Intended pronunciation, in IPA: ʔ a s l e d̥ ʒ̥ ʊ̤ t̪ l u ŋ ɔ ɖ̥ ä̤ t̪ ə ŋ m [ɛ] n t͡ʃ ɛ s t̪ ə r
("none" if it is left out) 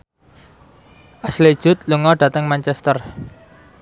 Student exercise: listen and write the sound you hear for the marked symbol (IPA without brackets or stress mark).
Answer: a